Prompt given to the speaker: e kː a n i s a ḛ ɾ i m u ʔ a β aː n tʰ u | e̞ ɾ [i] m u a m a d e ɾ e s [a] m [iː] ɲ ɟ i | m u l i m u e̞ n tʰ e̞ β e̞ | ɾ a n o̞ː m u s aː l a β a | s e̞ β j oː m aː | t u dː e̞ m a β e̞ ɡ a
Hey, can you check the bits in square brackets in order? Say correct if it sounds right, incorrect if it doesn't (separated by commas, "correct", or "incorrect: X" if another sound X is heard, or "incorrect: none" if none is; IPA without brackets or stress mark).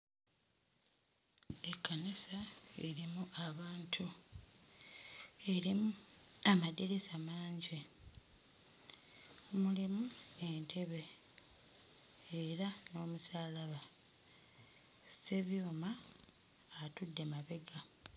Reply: correct, correct, incorrect: aː